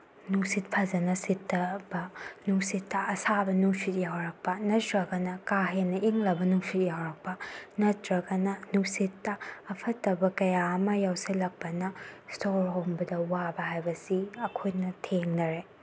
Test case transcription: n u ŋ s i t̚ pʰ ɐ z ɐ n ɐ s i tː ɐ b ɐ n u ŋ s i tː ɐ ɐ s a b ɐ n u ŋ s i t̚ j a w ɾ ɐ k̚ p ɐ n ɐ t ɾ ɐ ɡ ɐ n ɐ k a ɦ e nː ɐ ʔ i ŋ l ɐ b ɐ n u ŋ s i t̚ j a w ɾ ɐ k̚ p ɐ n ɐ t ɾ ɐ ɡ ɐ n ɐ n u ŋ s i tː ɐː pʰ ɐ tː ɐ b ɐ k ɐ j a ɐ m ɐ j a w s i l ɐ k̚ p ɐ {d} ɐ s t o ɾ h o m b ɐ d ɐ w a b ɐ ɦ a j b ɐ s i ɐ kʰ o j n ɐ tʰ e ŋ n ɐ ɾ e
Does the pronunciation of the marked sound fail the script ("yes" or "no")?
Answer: yes